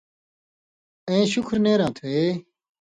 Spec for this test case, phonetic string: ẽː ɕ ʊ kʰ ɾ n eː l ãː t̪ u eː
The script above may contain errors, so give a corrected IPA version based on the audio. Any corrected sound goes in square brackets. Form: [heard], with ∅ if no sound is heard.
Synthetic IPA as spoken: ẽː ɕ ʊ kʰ ɾ n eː [ɾ] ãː [t̪ʰ] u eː